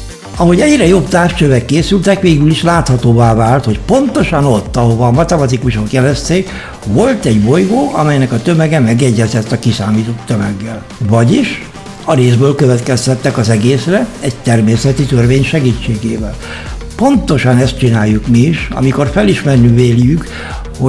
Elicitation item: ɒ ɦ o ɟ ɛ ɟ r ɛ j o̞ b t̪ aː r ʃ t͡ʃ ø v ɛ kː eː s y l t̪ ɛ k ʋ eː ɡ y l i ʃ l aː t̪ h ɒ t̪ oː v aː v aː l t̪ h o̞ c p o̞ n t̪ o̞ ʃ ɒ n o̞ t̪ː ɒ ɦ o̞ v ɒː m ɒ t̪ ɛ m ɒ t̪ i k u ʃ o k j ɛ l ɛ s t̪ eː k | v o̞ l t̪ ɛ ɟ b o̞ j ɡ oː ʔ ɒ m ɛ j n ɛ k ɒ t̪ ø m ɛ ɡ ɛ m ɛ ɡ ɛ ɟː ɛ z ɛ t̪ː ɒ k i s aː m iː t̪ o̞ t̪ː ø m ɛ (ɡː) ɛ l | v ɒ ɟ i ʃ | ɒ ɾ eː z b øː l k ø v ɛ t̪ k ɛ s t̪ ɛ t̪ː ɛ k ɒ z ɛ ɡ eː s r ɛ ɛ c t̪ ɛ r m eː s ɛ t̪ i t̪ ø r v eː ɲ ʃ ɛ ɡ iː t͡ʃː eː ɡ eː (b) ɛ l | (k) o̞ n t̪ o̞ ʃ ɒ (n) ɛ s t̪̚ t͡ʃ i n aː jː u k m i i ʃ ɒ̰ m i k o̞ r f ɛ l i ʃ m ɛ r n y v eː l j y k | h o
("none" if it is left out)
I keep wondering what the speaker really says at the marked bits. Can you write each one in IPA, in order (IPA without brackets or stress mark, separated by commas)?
ɡː, v, p, n